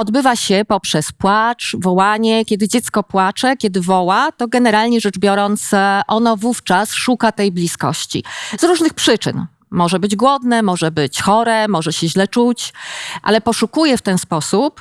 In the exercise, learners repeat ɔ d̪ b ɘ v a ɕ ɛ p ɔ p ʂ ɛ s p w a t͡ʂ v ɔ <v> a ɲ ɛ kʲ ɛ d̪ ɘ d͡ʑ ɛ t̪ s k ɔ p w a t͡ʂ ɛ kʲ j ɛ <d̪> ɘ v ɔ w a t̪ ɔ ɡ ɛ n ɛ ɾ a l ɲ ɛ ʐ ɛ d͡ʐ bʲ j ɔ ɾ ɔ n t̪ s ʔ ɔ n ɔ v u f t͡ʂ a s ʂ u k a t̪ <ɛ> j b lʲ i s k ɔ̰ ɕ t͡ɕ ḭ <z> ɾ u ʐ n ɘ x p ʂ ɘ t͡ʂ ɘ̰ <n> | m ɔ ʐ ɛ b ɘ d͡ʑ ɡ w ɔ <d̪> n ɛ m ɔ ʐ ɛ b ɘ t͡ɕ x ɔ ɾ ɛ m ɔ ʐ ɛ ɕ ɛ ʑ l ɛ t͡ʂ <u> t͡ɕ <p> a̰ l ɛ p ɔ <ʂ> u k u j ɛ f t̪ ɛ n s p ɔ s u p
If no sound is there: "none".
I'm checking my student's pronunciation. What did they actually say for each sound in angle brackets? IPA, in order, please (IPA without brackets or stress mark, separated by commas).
w, d̪, ɛ, z, n, d̪, u, ʔ, ʂ